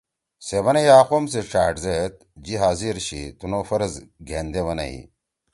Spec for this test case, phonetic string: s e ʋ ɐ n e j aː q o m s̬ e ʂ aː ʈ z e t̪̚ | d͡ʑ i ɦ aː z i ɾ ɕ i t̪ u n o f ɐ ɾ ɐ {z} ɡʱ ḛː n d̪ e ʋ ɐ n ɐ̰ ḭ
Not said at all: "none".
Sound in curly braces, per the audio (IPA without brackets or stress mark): z